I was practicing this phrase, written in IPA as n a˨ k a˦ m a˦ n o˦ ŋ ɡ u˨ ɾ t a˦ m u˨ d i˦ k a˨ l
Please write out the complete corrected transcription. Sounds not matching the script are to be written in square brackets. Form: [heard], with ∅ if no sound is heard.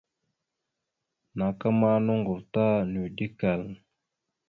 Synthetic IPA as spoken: n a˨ k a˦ m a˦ n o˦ ŋ ɡ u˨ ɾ t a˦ [n] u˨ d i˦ k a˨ l